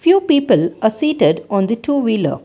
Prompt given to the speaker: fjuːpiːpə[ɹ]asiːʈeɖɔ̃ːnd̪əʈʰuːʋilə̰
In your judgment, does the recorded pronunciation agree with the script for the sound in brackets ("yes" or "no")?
no